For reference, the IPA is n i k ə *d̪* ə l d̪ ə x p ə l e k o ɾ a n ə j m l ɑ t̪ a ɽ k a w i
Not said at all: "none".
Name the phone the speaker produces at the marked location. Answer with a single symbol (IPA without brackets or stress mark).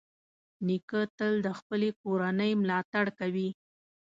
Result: t̪